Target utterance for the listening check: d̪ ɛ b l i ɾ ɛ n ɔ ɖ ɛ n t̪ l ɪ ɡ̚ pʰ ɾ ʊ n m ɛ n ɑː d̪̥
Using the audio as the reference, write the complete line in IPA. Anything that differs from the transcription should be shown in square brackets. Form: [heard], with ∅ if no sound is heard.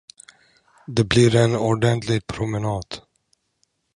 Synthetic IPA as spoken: d̪ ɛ b l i ɾ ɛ n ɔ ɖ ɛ n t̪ l ɪ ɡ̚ pʰ ɾ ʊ [∅] m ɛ n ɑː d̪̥